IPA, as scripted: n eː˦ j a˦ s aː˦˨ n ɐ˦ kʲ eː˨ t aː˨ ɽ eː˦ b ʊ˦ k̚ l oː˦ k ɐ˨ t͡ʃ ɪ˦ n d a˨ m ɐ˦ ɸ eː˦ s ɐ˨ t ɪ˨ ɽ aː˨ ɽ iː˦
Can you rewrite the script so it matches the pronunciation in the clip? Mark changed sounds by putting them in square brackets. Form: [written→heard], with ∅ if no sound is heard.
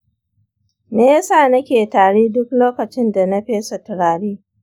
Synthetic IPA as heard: n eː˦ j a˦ s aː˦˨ n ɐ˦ kʲ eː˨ t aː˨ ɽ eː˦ [b→d] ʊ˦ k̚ l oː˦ k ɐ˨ t͡ʃ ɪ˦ n d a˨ [m→n] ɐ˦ ɸ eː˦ s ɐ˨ t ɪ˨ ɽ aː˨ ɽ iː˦